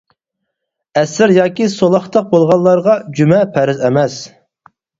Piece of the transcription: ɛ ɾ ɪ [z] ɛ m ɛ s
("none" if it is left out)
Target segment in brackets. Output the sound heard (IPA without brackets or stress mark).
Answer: z